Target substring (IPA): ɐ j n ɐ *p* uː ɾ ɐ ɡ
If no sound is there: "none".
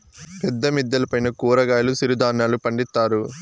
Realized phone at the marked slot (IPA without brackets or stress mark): k